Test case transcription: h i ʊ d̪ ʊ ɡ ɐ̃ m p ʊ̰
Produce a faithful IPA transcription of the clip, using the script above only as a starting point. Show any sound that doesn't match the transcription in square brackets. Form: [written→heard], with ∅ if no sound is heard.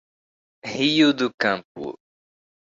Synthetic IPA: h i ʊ d̪ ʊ [ɡ→k] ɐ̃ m p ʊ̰